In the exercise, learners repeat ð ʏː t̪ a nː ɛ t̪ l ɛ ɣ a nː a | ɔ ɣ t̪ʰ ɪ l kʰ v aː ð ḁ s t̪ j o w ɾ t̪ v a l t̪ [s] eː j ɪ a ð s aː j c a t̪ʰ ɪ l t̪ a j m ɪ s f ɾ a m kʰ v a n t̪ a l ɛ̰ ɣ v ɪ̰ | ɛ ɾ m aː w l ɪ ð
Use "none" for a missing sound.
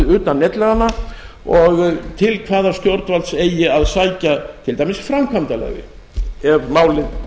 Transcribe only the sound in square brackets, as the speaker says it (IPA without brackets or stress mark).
s